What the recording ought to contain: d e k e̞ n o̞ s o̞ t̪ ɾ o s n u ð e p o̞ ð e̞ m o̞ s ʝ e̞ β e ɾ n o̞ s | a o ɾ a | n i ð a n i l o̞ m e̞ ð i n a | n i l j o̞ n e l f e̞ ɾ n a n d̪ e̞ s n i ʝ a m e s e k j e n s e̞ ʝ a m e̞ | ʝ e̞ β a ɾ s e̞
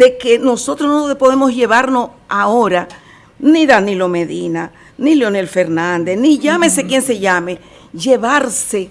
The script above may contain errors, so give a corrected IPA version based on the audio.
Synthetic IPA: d e k e̞ n o̞ s o̞ t̪ ɾ o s n o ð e p o̞ ð e̞ m o̞ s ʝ e̞ β a ɾ n o̞ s | a o ɾ a | n i ð a n i l o̞ m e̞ ð i n a | n i l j o̞ n e l f e̞ ɾ n a n d̪ e̞ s n i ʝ a m e s e k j e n s e̞ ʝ a m e̞ | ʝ e̞ β a ɾ s e̞

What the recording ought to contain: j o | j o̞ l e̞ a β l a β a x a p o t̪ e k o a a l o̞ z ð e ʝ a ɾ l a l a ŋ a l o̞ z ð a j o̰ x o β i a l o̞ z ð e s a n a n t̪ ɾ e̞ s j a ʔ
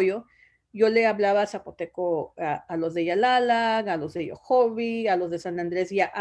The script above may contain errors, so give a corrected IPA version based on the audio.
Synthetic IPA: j o | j o̞ l e̞ a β l a β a s a p o t̪ e k o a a l o̞ z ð e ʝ a l a l a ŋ a l o̞ z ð e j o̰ x o β i a l o̞ z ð e s a n a n d̪ ɾ e̞ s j a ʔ

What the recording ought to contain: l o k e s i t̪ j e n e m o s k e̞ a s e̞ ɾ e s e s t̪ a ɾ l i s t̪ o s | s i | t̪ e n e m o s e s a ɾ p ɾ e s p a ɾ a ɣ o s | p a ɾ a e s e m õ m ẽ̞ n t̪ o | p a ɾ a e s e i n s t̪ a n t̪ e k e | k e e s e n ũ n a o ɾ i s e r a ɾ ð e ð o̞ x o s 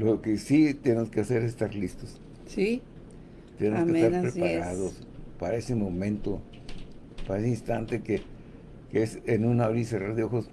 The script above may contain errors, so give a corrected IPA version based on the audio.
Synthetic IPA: l o k e s i t̪ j e n e m o s k e̞ a s e̞ ɾ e s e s t̪ a ɾ l i s t̪ o s | s i | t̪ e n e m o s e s a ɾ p ɾ e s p a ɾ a ð o s | p a ɾ a e s e m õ m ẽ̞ n t̪ o | p a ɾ a e s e i n s t̪ a n t̪ e k e | k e e s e n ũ n a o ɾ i s e r a ɾ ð e o̞ x o s

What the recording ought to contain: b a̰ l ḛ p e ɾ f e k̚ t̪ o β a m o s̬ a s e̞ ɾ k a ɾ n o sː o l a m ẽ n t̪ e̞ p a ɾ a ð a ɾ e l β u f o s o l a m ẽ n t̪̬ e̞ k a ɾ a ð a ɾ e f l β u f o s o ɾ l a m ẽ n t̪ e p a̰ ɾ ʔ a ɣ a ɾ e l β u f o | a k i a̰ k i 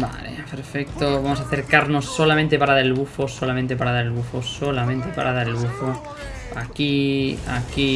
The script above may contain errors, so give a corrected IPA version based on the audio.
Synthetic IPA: b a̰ l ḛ p e ɾ f e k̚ t̪ o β a m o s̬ a θ e̞ ɾ k a ɾ n o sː o l a m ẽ n t̪ e̞ p a ɾ a ð a ɾ e l β u f o s o l a m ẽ n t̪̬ e̞ p a ɾ a ð a ɾ e l β u f o s o l a m ẽ n t̪ e p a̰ ɾ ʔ a ð a ɾ e l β u f o | a k i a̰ k i

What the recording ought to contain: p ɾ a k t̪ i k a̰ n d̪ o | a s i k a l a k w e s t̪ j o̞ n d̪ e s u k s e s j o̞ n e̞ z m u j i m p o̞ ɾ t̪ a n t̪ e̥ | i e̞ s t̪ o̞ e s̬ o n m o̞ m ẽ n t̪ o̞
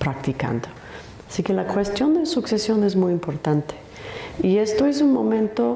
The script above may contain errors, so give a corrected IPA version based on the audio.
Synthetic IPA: p ɾ a k t̪ i k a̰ n d̪ o | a s i k e l a k w e s t̪ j o̞ n d̪ e s u k s e s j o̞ n e̞ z m u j i m p o̞ ɾ t̪ a n t̪ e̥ | i e̞ s t̪ o̞ e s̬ u n m o̞ m ẽ n t̪ o̞

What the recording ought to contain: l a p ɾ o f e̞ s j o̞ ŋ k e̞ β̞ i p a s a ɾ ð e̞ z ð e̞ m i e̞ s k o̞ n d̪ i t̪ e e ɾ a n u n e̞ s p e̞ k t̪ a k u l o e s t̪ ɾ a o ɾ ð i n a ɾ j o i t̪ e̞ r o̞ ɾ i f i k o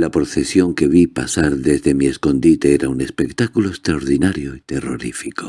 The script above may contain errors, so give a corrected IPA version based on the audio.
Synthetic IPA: l a p ɾ o θ e̞ s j o̞ ŋ k e̞ β̞ i p a s a ɾ ð e̞ z ð e̞ m i e̞ s k o̞ n d̪ i t̪ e e ɾ a u n e̞ s p e̞ k t̪ a k u l o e s t̪ ɾ a o ɾ ð i n a ɾ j o i t̪ e̞ r o̞ ɾ i f i k o

